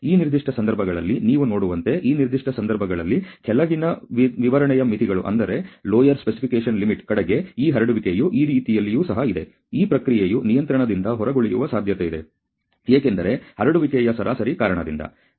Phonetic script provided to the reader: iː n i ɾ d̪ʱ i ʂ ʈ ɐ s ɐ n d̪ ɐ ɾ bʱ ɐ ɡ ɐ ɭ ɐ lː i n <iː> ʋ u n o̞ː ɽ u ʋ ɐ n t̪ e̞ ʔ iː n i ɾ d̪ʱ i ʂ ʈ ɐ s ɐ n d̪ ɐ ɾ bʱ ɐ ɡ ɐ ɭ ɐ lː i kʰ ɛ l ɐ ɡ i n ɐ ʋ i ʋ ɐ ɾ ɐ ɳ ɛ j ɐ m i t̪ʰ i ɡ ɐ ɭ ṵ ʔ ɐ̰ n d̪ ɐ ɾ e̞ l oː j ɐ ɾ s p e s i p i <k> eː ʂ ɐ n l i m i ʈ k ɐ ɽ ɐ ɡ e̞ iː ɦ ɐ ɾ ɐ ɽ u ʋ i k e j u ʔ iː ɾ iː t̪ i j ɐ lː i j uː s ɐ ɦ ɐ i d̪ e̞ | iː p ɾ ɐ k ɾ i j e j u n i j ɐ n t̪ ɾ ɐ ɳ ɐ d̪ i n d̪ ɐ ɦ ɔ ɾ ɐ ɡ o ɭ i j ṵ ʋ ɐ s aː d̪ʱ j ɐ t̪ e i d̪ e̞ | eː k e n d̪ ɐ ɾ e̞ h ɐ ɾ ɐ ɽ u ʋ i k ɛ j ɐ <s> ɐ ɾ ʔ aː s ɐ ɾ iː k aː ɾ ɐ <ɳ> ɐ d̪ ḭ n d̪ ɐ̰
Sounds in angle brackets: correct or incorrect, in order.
correct, correct, correct, correct

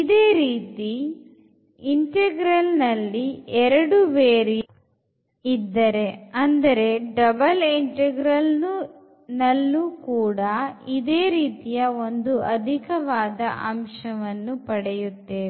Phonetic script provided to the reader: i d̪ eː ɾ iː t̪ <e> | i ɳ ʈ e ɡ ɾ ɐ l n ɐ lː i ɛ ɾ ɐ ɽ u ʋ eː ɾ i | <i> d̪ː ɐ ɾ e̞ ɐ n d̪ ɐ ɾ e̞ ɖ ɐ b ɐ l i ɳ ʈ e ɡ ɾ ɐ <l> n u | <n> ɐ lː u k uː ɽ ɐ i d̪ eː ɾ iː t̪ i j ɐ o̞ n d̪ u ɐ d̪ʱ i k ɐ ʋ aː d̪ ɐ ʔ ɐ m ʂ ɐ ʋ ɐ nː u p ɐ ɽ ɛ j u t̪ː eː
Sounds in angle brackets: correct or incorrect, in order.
incorrect, correct, correct, correct

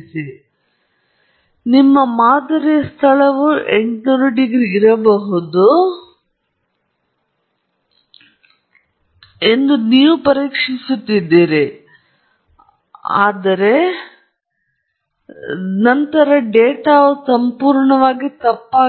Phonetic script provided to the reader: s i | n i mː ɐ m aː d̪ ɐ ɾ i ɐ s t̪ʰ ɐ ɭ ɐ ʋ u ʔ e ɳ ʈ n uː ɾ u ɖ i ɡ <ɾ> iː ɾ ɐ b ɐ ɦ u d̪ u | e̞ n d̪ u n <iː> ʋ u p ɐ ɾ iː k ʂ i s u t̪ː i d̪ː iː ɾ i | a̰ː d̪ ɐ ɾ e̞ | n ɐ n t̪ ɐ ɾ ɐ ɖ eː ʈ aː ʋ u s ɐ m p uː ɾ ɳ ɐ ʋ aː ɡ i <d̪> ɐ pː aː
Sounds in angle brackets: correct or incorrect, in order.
correct, correct, incorrect

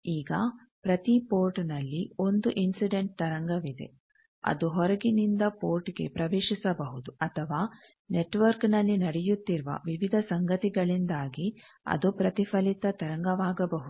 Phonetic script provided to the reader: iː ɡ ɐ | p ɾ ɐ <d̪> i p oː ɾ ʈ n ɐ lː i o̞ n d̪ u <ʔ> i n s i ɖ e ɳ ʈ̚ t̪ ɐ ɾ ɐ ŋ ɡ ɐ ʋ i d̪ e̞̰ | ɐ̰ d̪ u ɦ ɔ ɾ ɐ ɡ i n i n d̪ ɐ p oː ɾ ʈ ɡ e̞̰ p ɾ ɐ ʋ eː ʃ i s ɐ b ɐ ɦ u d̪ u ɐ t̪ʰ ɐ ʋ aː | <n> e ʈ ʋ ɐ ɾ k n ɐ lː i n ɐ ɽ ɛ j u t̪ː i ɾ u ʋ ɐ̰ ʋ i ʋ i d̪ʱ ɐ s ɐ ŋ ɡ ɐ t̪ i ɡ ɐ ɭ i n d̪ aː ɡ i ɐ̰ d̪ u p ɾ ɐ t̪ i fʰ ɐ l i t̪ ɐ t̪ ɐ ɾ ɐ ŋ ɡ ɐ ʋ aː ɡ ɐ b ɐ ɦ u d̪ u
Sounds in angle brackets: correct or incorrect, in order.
incorrect, correct, correct

